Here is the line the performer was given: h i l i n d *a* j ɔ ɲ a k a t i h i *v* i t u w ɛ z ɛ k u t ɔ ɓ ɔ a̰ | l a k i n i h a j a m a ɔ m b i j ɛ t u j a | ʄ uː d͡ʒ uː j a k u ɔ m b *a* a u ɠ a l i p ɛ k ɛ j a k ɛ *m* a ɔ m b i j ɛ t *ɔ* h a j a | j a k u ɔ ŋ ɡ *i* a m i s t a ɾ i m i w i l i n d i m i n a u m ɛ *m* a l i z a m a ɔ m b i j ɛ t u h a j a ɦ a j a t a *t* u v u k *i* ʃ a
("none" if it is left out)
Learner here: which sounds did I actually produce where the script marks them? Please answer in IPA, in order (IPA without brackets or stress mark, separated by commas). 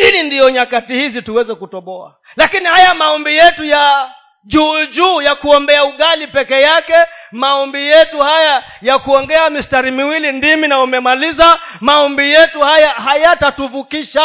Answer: i, z, ɛ, m, u, ɛ, m, t, i